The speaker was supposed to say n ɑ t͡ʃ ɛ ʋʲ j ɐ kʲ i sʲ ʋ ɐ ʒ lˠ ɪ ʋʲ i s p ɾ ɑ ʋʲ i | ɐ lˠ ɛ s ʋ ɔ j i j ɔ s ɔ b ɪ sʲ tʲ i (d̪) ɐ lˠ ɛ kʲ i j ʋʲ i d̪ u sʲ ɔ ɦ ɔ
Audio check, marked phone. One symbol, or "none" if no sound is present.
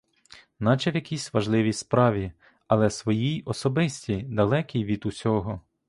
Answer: d̪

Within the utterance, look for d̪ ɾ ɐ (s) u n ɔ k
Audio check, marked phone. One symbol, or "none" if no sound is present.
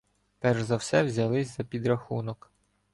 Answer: x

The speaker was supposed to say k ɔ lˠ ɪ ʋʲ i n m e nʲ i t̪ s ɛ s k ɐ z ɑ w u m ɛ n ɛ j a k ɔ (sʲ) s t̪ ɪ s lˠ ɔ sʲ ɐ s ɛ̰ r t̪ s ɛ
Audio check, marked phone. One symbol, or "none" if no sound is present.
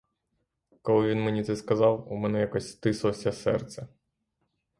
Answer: sʲ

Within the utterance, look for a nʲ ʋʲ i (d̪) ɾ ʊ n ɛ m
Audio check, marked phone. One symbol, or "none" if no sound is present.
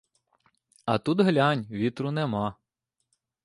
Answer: t̪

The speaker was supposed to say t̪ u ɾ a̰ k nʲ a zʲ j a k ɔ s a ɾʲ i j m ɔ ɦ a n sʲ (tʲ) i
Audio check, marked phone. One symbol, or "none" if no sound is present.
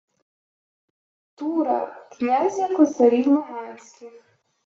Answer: kʲ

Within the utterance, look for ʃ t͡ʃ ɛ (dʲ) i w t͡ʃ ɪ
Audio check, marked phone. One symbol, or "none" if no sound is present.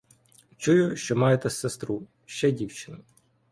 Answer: dʲ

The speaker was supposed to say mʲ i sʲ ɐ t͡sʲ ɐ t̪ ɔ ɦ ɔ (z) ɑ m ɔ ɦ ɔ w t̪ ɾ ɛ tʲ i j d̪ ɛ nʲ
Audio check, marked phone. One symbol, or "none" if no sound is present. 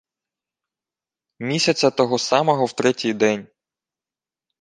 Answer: s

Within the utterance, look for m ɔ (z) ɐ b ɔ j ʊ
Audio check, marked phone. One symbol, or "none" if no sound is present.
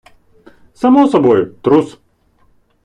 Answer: s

